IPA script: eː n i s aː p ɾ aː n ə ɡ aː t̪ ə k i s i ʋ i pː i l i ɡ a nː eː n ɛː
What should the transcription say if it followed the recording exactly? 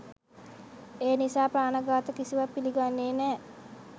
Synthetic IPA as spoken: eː n i s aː p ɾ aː n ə ɡ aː t̪ ə k i s i ʋ a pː i l i ɡ a nː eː n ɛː